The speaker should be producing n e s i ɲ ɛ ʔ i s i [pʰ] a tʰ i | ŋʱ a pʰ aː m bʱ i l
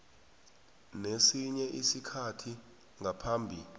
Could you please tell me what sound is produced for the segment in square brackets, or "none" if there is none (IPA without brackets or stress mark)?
kʰ